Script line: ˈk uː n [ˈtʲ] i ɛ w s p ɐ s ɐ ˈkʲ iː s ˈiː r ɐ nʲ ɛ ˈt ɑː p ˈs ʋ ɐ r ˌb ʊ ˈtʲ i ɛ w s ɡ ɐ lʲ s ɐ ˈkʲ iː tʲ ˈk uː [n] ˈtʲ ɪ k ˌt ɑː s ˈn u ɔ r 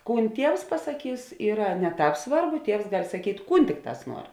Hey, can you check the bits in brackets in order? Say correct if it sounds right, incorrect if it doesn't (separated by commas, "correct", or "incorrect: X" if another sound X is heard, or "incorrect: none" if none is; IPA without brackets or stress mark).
correct, correct